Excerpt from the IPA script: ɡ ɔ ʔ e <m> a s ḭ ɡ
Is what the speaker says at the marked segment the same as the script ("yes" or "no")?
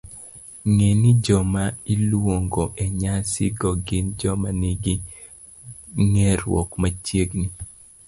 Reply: no